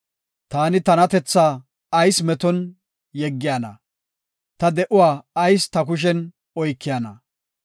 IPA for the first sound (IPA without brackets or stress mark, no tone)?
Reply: t̪